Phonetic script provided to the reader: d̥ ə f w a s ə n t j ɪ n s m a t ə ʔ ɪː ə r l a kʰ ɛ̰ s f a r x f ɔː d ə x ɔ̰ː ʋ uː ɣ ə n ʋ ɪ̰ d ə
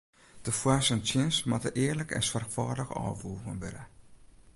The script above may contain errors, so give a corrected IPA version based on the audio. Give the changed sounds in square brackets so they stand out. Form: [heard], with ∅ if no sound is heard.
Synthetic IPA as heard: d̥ ə f w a s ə n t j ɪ n s m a t ə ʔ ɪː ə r l [ə] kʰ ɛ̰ s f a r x f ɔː d ə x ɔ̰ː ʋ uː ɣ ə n ʋ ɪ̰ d ə